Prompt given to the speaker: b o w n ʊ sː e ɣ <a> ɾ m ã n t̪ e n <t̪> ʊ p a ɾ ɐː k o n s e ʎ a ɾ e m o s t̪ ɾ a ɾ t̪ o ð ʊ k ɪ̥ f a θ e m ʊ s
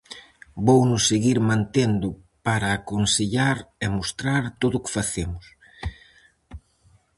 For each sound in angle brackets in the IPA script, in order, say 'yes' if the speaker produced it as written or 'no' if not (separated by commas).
no, no